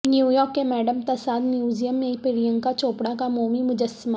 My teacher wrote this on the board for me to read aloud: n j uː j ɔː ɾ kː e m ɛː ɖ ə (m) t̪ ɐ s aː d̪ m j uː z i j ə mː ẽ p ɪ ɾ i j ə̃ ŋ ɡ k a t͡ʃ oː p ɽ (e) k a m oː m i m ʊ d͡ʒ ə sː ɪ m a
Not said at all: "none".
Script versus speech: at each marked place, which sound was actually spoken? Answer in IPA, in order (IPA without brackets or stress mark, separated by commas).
m, a